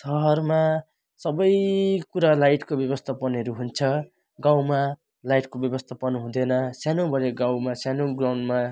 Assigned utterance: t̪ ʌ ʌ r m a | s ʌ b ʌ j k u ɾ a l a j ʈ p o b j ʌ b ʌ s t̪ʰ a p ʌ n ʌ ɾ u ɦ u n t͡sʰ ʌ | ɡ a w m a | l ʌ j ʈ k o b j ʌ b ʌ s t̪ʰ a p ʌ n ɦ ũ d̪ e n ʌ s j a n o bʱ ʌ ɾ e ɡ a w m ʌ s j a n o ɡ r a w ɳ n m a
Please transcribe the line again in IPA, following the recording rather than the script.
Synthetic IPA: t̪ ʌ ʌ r m a | s ʌ b ʌ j k u ɾ a l a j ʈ k o b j ʌ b ʌ s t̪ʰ a p ʌ n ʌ ɾ u ɦ u n t͡sʰ ʌ | ɡ a w m a | l a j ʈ k o b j ʌ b ʌ s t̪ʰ a p ʌ n ɦ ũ d̪ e n ʌ s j a n o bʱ ʌ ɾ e ɡ a w m a s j a n o ɡ r a w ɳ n m a